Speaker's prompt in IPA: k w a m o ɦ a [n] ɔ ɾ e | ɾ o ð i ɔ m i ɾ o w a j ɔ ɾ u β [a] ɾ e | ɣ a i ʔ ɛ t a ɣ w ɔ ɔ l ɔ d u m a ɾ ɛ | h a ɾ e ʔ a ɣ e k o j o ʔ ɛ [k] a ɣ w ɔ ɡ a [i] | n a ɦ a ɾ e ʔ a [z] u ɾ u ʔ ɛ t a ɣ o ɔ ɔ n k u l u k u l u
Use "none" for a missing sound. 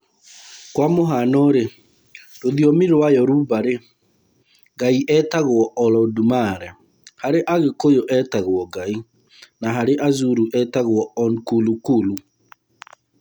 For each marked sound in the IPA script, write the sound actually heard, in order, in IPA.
n, a, t, i, z

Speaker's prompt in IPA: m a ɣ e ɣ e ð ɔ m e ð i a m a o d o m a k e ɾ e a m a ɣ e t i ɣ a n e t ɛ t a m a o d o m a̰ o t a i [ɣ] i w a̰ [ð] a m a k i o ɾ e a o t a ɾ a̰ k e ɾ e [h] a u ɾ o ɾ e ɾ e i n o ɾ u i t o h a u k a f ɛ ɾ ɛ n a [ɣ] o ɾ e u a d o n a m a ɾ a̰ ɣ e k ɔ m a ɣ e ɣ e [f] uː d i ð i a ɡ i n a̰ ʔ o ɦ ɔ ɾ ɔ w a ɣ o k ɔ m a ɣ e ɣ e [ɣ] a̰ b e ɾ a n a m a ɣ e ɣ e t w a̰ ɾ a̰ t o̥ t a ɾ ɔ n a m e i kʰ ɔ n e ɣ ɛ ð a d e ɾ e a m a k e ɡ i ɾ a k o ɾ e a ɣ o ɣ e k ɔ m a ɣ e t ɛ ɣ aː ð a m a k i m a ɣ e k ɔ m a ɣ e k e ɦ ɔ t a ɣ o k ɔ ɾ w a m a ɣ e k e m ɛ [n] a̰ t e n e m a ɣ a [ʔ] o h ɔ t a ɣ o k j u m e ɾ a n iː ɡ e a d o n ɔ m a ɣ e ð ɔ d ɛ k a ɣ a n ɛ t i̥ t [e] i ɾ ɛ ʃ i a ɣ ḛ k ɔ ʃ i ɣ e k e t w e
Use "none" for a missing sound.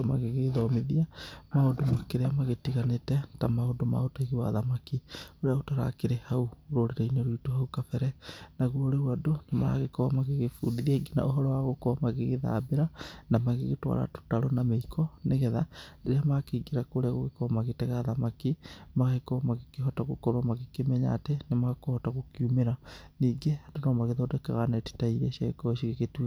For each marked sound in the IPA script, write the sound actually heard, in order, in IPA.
ɣ, ð, h, ɣ, f, ð, ɲ, k, a

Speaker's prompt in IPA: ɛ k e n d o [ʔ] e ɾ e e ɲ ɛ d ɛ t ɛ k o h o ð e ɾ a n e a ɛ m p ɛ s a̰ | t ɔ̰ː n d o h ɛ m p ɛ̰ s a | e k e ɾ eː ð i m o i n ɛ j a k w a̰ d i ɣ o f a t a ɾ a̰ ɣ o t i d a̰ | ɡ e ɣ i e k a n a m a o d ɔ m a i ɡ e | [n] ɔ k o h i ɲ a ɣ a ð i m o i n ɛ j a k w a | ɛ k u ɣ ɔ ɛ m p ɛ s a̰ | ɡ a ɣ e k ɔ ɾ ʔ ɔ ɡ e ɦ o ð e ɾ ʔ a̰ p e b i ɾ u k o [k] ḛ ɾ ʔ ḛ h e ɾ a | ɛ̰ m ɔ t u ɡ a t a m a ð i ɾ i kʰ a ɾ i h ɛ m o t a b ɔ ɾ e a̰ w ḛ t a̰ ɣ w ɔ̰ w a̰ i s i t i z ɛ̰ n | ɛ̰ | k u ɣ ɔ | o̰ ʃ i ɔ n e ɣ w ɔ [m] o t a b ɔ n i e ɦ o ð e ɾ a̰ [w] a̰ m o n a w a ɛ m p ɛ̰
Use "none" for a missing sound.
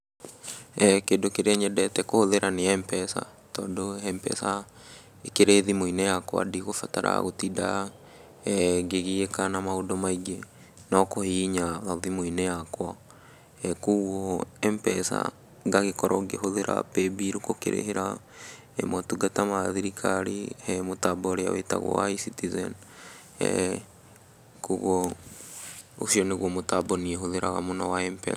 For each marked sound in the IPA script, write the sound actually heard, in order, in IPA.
k, n, k, m, ɣ

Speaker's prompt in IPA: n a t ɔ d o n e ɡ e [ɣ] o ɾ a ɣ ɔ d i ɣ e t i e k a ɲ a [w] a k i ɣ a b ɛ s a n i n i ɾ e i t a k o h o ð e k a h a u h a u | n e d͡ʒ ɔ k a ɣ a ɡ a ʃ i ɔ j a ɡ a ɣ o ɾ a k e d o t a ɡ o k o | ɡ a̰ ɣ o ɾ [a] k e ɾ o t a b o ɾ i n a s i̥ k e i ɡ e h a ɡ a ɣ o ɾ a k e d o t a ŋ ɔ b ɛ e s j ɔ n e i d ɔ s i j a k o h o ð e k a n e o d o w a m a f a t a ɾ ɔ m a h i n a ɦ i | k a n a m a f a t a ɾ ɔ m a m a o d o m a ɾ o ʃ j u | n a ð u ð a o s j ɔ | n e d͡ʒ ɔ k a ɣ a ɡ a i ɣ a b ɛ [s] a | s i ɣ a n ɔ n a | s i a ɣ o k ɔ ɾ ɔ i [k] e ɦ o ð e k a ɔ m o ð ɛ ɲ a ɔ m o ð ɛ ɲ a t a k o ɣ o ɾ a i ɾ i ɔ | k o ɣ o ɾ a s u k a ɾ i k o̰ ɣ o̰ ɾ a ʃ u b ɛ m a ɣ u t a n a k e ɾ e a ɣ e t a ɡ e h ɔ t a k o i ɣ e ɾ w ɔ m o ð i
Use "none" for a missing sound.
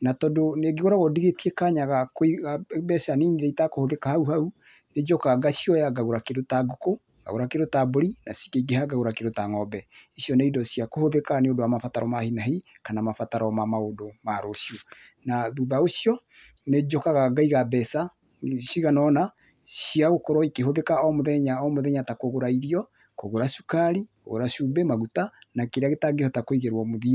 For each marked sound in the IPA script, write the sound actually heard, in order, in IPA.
ɣ, ɣ, a, s, k

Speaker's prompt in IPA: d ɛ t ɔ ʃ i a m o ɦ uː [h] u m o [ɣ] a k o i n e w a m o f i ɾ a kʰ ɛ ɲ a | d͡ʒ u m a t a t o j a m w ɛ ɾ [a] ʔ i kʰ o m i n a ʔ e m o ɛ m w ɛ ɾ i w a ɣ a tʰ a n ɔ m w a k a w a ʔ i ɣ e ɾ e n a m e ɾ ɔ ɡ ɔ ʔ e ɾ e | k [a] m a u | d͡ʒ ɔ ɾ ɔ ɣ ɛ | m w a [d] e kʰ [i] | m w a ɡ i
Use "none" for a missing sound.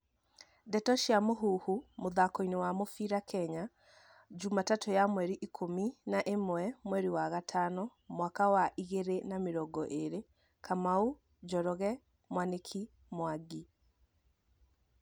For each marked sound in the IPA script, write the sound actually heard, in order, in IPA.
h, ð, i, a, n, i

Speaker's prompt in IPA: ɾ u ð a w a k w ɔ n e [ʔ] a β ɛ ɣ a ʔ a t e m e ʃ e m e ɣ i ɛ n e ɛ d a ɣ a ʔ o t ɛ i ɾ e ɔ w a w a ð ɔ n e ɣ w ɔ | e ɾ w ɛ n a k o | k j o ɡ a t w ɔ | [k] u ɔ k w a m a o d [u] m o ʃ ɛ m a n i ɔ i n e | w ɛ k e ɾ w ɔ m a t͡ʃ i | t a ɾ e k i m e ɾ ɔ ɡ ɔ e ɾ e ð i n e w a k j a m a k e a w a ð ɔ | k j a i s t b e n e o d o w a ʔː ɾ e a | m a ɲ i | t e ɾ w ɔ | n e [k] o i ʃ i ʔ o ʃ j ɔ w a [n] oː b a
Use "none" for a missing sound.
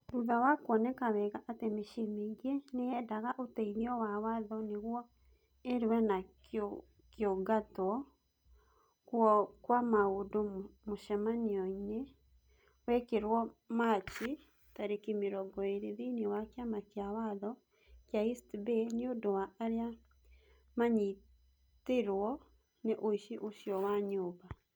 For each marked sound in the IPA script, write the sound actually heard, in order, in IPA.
k, k, o, ʔ, ɲ

